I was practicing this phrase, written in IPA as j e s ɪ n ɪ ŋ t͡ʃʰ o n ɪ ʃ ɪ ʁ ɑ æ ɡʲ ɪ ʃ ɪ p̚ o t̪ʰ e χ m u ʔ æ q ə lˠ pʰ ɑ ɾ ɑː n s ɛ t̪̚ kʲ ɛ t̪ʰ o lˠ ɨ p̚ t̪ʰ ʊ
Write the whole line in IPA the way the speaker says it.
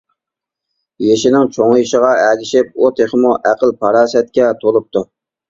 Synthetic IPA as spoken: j e ʃ ɪ n ɪ ŋ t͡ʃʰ o ŋ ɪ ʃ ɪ ʁ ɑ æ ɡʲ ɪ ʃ ɪ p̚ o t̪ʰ e χ m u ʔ æ q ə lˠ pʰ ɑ ɾ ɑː s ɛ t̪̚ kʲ ɛ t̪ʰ o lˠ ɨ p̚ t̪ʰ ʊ

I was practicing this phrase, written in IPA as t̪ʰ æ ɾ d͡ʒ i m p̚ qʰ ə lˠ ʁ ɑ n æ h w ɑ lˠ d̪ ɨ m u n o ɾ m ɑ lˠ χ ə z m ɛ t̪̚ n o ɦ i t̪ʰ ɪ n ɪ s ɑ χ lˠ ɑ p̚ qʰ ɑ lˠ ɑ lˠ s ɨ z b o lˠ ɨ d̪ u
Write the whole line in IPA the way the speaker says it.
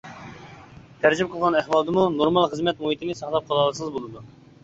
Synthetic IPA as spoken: t̪ʰ æ ɾ d͡ʒ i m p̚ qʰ ə lˠ ʁ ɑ n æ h w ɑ lˠ d̪ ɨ m u n o ɾ m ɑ lˠ χ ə z m ɛ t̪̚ m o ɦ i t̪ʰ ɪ n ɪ s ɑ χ lˠ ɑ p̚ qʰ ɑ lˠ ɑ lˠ s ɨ z b o lˠ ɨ d̪ u

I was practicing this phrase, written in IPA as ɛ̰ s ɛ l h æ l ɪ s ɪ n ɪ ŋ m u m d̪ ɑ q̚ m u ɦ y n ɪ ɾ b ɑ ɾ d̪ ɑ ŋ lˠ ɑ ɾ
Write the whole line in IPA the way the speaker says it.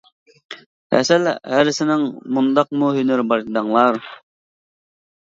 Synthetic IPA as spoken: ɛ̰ s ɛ l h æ ɾ ɪ s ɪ n ɪ ŋ m u n d̪ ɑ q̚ m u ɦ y n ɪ ɾ b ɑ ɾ d̪ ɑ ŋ lˠ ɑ ɾ

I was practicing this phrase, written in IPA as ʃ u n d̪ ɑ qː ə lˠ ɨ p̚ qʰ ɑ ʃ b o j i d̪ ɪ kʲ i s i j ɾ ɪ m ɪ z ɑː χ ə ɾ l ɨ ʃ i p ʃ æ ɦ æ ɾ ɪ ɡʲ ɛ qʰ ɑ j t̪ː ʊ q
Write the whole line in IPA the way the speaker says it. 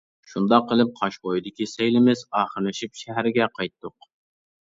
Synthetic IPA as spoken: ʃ u n d̪ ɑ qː ə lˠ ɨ p̚ qʰ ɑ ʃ b o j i d̪ ɪ kʲ i s e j l ɪ m ɪ z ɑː χ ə ɾ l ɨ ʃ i p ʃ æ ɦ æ ɾ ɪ ɡʲ ɛ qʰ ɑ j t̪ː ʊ q

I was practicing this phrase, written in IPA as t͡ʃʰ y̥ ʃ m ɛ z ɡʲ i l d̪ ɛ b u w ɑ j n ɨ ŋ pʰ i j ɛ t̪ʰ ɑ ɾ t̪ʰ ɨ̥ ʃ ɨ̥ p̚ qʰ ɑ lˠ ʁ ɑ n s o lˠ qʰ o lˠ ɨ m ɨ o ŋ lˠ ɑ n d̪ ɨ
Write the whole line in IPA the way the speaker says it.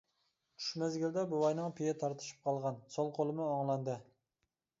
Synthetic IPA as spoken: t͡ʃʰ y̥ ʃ m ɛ z ɡʲ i l d̪ ɛ b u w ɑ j n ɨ ŋ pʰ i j ɛ t̪ʰ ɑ ɾ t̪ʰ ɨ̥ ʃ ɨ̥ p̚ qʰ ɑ lˠ ʁ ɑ n s o lˠ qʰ o lˠ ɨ m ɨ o ŋ lˠ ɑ n d̪ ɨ

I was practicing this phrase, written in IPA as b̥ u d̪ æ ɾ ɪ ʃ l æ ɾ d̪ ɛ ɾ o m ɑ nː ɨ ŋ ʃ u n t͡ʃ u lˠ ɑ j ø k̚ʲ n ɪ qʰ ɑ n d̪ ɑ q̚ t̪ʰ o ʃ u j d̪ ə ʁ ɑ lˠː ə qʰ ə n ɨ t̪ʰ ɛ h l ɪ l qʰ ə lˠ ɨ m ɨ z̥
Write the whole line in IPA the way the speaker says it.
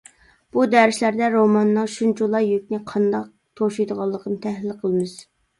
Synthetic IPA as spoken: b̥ u d̪ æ ɾ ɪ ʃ l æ ɾ d̪ ɛ ɾ o m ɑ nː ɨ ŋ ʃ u n t͡ʃ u lˠ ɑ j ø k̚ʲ n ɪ qʰ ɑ n d̪ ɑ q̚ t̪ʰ o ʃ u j d̪ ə ʁ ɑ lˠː ə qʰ ə n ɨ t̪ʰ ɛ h l ɪ l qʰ ə lˠ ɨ m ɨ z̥

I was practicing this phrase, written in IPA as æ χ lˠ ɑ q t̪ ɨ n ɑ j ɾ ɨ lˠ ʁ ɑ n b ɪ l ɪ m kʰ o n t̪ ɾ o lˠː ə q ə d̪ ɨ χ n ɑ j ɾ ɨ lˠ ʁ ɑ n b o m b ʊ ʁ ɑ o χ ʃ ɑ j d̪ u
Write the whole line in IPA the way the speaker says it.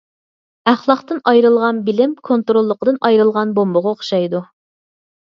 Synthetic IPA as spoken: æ χ lˠ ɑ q t̪ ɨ n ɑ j ɾ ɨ lˠ ʁ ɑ n b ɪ l ɪ m kʰ o n t̪ ɾ o lˠː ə q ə d̪ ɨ n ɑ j ɾ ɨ lˠ ʁ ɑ n b o m b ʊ ʁ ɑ o χ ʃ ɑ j d̪ u

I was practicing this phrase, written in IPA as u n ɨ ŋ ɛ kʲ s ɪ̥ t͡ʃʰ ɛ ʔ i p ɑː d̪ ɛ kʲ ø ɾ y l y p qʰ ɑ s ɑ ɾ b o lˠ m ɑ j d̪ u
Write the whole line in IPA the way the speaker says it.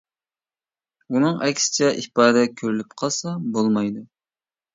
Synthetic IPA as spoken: u n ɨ ŋ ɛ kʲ s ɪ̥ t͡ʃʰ ɛ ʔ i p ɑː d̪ ɛ kʲʰ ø ɾ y l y p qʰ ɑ s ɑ b o lˠ m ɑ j d̪ u

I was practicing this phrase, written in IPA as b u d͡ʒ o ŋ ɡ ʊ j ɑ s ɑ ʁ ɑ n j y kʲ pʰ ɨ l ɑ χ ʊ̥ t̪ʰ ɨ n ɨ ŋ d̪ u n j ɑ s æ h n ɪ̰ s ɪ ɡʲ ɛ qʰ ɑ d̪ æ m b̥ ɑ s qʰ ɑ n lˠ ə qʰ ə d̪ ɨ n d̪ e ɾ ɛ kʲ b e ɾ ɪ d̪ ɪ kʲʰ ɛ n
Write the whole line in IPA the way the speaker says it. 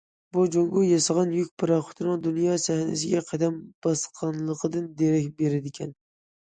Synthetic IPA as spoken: b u d͡ʒ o ŋ ɡ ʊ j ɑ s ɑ ʁ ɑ n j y kʲ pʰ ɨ ɾ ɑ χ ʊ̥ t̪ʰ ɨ n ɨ ŋ d̪ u n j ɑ s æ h n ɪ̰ s ɪ ɡʲ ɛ qʰ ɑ d̪ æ m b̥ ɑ s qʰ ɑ n lˠ ə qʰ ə d̪ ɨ n d̪ e ɾ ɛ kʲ b e ɾ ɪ d̪ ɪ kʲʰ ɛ n

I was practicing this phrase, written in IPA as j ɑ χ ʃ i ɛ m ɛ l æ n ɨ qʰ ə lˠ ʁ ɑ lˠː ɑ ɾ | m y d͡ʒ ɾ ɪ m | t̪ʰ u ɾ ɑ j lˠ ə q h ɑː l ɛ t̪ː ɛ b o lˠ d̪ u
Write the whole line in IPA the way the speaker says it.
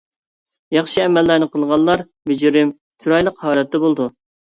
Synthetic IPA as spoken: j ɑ χ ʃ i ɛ m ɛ lː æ n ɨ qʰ ə lˠ ʁ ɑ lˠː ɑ ɾ | m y d͡ʒ ɾ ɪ m | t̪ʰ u ɾ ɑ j lˠ ə q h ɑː l ɛ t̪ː ɛ b o lˠ d̪ u

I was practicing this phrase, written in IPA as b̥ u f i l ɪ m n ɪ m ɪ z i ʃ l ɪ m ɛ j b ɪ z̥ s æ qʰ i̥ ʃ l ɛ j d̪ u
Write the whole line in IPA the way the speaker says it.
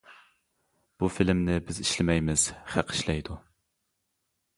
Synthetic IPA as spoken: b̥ u f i l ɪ m n ɪ b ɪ z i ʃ l ɪ m ɛ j m ɪ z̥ χ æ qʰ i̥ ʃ l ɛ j d̪ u

